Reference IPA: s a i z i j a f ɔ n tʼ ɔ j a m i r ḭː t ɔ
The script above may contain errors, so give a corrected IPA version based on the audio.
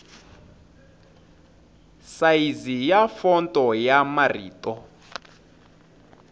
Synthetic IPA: s a i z i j a f ɔ n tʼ ɔ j a m a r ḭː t ɔ